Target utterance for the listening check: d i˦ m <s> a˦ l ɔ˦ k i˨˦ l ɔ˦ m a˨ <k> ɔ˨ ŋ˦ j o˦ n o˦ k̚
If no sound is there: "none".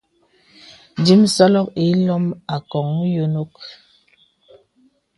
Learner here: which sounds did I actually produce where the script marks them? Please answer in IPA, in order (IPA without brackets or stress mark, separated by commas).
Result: s, k